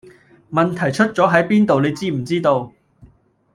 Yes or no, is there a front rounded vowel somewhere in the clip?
no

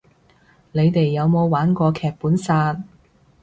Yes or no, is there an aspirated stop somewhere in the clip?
yes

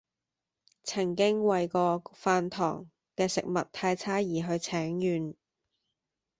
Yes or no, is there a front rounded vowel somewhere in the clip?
yes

